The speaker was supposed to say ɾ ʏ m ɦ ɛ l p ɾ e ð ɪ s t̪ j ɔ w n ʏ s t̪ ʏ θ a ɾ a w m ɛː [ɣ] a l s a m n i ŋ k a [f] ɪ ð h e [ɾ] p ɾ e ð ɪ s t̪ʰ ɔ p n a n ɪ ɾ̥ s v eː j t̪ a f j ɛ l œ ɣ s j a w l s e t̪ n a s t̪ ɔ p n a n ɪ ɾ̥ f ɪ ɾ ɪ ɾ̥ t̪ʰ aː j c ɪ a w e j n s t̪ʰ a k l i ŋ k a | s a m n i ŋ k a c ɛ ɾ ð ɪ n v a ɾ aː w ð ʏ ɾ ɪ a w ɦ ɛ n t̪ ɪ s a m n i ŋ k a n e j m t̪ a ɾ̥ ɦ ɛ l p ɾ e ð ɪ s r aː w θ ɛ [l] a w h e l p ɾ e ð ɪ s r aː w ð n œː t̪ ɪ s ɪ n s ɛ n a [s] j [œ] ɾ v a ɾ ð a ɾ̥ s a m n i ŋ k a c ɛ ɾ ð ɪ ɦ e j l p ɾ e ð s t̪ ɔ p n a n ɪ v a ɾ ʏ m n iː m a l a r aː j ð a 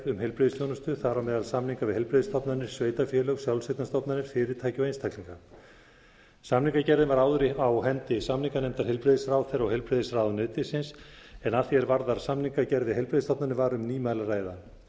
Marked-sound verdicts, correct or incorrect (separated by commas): incorrect, incorrect, incorrect, incorrect, incorrect, incorrect